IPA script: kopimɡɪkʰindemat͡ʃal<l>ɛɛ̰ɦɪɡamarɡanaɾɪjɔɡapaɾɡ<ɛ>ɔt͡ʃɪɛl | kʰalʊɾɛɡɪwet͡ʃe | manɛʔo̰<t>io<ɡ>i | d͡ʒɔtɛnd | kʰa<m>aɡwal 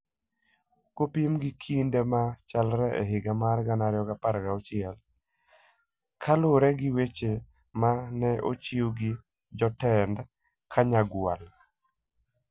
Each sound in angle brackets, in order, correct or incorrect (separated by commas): incorrect, incorrect, incorrect, correct, incorrect